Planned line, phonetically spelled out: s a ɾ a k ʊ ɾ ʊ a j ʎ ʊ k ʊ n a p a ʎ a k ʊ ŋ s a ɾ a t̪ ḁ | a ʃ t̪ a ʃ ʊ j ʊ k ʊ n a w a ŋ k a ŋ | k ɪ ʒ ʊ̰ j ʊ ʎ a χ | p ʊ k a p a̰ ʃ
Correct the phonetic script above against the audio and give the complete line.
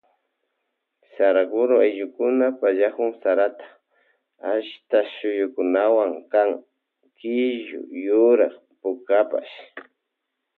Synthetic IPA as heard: s a ɾ a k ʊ ɾ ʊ a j ʎ ʊ k ʊ n a p a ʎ a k ʊ ŋ s a ɾ a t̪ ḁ | a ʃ t̪ a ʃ ʊ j ʊ k ʊ n a w a ŋ k a ŋ | k ɪ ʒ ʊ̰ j ʊ ɾ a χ | p ʊ k a p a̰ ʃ